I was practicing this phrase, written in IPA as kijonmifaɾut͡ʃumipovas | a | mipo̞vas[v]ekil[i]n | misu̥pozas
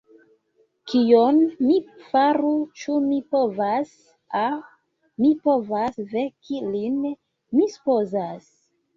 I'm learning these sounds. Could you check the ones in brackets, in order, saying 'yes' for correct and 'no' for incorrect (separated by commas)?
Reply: yes, yes